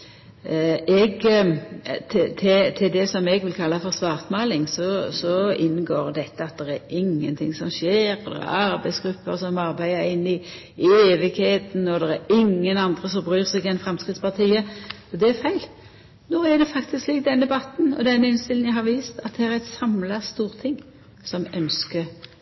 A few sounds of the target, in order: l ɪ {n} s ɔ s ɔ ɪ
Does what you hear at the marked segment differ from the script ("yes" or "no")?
yes